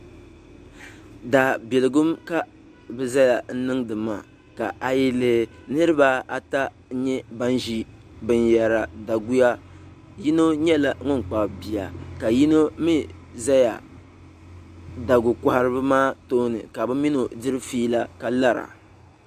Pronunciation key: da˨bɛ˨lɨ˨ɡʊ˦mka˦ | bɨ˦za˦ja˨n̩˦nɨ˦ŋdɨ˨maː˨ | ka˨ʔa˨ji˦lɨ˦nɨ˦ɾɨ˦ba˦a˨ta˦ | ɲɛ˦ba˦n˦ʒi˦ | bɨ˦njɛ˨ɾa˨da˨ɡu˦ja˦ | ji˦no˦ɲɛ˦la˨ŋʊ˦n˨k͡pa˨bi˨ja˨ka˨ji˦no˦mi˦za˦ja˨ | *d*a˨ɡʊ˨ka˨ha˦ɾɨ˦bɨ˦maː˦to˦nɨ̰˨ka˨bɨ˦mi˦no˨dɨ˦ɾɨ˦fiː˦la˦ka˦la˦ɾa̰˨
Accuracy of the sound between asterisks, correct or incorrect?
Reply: correct